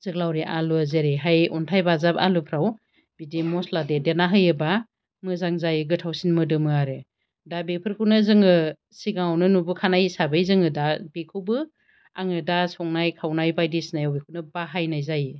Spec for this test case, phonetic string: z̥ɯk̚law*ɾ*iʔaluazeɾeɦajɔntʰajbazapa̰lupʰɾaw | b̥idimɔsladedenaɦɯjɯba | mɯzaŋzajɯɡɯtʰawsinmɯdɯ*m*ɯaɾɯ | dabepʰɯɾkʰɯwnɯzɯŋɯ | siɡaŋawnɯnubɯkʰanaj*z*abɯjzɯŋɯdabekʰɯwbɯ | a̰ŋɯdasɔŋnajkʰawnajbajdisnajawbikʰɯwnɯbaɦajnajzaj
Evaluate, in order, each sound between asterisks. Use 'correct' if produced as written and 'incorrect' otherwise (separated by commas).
correct, correct, incorrect